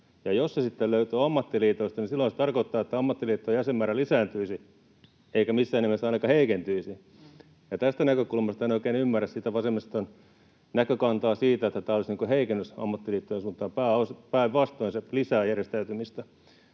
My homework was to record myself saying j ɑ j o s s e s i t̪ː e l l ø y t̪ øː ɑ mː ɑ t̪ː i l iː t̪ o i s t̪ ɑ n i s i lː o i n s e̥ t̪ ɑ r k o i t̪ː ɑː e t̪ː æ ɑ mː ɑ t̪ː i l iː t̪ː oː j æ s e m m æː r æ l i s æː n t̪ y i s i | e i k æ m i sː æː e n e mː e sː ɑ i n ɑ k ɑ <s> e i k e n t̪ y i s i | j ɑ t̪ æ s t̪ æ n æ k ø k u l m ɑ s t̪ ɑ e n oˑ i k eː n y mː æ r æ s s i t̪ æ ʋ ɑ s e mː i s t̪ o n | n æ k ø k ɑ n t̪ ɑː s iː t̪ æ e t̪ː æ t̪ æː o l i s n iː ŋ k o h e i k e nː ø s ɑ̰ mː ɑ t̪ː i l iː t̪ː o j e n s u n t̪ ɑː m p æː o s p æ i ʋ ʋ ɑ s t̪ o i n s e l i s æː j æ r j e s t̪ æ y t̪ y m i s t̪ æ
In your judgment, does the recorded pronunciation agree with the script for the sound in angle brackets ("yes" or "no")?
no